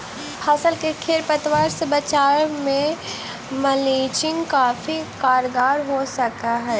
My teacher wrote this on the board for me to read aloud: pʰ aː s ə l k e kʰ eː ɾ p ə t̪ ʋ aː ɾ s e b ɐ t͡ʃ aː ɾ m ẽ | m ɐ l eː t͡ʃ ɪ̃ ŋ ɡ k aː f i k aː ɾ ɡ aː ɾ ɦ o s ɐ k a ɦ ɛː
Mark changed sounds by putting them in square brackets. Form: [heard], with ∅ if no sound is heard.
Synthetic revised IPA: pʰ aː s ə l k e kʰ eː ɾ p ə t̪ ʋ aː ɾ s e b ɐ t͡ʃ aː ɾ m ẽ | m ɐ l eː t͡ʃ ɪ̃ ŋ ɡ k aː f i k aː ɾ ɡ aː ɾ ɦ o s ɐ k a ɦ ɛː

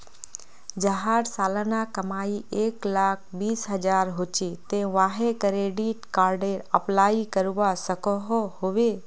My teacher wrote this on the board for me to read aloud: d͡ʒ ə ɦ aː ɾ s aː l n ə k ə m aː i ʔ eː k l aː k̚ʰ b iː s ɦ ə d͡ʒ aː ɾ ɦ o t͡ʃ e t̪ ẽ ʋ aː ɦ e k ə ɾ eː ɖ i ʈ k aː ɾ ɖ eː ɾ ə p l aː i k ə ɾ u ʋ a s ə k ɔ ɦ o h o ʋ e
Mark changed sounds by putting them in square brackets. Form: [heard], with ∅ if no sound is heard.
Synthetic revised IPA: d͡ʒ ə ɦ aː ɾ s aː l n [a] k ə m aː i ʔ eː k l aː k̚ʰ b iː s ɦ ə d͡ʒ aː ɾ ɦ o t͡ʃ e t̪ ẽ ʋ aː ɦ e k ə ɾ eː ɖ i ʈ k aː ɾ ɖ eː ɾ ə p l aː i k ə ɾ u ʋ a s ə k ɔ ɦ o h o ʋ e

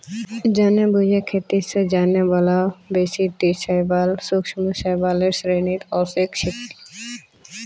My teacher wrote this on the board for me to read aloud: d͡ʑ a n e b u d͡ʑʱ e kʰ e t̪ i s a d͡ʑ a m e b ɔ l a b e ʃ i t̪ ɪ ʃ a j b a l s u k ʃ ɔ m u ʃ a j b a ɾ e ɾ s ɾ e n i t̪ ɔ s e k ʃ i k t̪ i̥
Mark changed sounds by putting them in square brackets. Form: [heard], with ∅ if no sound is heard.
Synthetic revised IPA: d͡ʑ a n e b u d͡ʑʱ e kʰ e t̪ i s [e] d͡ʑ a [n] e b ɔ l a b e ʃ i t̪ [i] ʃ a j b a l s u k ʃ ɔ m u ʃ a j b a [l] e ɾ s ɾ e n i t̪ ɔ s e k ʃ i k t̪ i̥

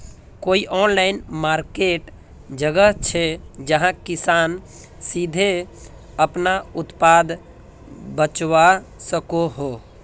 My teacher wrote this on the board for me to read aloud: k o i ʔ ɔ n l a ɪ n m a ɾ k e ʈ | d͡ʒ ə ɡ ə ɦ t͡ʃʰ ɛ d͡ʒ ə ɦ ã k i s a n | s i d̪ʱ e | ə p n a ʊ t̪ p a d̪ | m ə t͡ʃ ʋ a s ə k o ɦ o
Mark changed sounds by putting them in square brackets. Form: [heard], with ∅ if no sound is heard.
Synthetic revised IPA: k o i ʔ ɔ n l a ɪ n m a ɾ k e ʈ | d͡ʒ ə ɡ ə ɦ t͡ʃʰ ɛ d͡ʒ ə ɦ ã k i s a n | s i d̪ʱ e | ə p n a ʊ t̪ p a d̪ | [b] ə t͡ʃ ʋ a s ə k o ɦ o

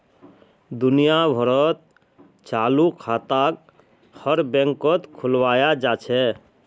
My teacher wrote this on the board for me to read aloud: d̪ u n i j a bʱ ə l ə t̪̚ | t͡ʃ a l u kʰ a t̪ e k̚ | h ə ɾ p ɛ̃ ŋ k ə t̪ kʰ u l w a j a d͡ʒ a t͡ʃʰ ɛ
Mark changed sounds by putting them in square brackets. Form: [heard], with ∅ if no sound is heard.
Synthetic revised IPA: d̪ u n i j a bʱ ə [ɾ] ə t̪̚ | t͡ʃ a l u kʰ a t̪ [a] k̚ | h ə ɾ [b] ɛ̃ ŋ k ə t̪ kʰ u l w a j a d͡ʒ a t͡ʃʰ ɛ

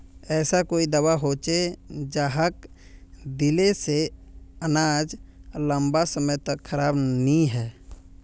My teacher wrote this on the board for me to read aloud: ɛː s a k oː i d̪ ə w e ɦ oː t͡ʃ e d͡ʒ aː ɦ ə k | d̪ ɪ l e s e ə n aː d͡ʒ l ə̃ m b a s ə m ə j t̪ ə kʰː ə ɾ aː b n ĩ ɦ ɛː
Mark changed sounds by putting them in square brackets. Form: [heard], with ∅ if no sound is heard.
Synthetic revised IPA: ɛː s a k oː i d̪ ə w [a] ɦ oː t͡ʃ e d͡ʒ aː ɦ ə k | d̪ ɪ l e s e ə n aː d͡ʒ l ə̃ m b a s ə m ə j t̪ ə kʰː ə ɾ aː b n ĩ ɦ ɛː

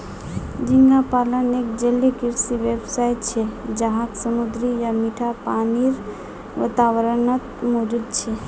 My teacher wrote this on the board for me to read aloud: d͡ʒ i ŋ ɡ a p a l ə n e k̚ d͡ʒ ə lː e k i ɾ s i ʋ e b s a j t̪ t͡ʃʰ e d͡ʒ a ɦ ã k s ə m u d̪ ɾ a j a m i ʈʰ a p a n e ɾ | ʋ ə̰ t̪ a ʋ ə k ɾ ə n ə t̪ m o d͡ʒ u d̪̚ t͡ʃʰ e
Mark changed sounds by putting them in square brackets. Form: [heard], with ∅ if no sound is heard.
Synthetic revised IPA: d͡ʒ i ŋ ɡ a p a l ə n e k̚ d͡ʒ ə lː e k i ɾ s i ʋ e b s a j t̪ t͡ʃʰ e d͡ʒ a ɦ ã k s ə m u d̪ ɾ [i] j a m i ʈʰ a p a n [i] ɾ | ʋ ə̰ t̪ a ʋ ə [∅] ɾ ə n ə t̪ m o d͡ʒ u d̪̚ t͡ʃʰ e

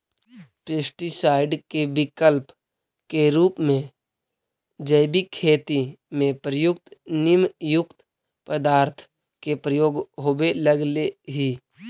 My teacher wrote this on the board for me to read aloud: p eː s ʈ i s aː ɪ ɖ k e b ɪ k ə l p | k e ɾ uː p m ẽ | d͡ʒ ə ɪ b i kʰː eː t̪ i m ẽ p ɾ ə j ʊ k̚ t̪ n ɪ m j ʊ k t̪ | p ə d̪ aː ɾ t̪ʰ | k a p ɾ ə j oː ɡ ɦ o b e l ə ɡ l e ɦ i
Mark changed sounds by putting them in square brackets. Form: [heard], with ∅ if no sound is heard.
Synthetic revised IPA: p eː s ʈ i s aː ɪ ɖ k e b ɪ k ə l p | k e ɾ uː p m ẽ | d͡ʒ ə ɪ b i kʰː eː t̪ i m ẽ p ɾ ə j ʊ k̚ t̪ n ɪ m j ʊ k t̪ | p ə d̪ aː ɾ t̪ʰ | k [e] p ɾ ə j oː ɡ ɦ o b e l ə ɡ l e ɦ i

